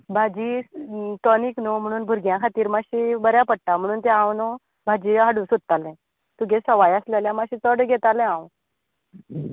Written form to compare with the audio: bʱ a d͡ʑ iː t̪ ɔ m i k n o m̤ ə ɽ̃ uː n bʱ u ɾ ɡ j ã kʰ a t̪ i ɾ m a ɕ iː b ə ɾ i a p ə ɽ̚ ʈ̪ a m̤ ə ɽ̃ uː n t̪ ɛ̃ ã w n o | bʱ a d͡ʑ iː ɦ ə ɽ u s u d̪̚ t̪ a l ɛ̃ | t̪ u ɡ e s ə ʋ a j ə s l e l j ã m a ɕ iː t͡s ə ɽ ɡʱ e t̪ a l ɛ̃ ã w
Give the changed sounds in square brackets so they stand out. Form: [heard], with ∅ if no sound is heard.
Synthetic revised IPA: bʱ a d͡ʑ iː t̪ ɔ [n] i k n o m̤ ə ɽ̃ uː n bʱ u ɾ ɡ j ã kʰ a t̪ [iː] ɾ m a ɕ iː b ə ɾ [j] a p ə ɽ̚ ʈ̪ a m̤ ə ɽ̃ uː n t̪ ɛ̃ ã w n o | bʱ a d͡ʑ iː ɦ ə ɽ u s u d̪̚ t̪ a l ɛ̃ | t̪ u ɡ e s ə ʋ a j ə s l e l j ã m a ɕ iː t͡s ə ɽ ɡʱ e t̪ a l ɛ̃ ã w